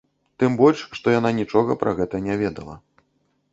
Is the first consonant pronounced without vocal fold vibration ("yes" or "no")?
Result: yes